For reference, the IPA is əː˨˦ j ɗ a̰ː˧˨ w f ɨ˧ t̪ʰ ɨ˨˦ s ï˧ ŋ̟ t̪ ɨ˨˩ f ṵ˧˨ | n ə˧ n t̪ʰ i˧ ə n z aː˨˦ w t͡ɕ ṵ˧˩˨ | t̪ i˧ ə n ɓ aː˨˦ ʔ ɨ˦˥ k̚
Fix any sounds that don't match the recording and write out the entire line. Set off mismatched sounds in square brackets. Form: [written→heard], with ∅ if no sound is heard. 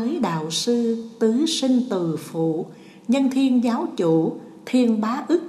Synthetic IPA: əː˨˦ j ɗ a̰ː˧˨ w [f→s] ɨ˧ [t̪ʰ→t̪] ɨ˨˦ s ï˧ ŋ̟ t̪ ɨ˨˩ f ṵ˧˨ | [n→ɲ] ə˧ n t̪ʰ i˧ ə n z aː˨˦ w t͡ɕ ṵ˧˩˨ | [t̪→t̪ʰ] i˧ ə n ɓ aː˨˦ ʔ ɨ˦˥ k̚